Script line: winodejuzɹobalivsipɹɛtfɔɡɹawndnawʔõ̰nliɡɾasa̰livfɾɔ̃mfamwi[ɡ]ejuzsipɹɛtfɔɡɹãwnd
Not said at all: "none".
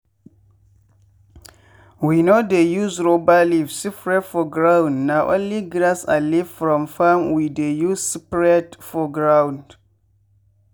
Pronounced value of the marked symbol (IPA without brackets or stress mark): d